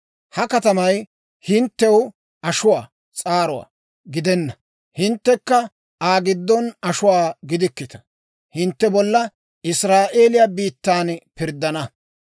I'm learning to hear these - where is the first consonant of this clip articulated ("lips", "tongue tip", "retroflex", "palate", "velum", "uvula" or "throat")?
throat